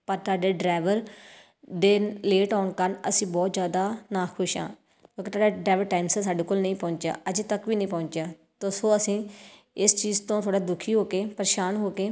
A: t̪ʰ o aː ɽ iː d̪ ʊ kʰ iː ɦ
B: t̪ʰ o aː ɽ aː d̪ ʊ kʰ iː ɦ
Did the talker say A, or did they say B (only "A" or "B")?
B